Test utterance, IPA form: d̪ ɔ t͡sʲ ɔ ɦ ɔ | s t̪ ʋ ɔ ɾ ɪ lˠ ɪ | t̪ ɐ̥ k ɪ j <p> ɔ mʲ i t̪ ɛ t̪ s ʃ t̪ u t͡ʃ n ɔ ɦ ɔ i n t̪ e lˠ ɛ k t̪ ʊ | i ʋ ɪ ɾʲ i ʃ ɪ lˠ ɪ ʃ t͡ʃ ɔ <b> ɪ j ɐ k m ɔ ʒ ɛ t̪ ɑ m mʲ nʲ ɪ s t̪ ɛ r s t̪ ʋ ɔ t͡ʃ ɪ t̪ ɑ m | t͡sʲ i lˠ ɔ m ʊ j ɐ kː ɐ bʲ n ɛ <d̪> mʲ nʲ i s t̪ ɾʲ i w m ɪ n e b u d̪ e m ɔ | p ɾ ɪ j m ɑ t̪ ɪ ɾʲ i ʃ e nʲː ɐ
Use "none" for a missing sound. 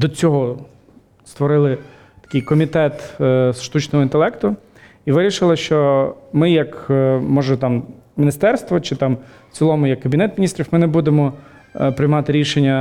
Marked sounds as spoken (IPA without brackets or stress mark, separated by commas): k, m, t̪